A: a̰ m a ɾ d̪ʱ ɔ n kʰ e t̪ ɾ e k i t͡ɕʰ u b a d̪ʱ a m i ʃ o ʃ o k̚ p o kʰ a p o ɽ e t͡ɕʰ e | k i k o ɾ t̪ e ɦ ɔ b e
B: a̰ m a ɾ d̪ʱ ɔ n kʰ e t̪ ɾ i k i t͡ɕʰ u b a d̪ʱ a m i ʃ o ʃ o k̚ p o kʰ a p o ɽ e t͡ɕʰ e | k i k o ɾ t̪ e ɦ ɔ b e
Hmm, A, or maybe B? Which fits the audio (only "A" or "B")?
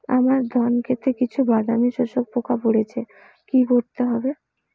A